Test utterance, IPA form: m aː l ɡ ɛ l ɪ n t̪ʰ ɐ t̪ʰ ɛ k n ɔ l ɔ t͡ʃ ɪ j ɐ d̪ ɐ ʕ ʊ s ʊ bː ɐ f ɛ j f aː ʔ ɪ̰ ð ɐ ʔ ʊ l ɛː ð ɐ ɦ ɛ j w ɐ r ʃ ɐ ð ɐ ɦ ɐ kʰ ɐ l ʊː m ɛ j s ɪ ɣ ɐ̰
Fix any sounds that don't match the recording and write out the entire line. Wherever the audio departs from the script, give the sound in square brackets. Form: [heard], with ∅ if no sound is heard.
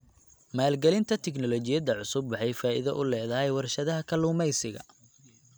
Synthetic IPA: m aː l ɡ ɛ l ɪ n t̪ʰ ɐ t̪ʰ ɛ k n ɔ l ɔ t͡ʃ ɪ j ɐ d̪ ɐ ʕ ʊ s ʊ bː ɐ [ħ] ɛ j f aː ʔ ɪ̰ ð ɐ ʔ ʊ l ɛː ð ɐ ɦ ɛ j w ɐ r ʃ ɐ ð ɐ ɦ ɐ kʰ ɐ l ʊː m ɛ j s ɪ ɣ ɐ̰